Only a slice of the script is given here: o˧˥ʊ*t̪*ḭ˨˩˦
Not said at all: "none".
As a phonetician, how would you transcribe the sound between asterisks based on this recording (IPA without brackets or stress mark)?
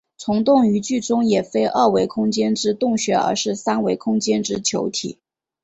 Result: t̪ʰ